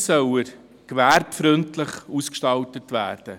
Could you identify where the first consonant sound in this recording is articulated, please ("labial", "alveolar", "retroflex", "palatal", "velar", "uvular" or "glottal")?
alveolar